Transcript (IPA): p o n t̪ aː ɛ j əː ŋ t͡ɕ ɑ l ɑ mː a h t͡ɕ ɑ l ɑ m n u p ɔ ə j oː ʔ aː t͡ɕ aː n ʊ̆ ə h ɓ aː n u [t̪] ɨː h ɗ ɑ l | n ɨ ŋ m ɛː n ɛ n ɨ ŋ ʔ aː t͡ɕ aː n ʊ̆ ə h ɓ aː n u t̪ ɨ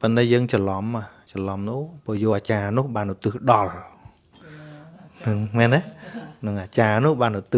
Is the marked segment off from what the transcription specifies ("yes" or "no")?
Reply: no